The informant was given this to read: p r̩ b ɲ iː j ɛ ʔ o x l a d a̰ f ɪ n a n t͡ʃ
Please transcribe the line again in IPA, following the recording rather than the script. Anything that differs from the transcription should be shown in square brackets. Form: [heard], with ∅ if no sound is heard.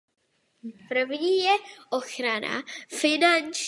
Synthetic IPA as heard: p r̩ [v] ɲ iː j ɛ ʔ o x [ɾ] a [n] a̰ f ɪ n a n t͡ʃ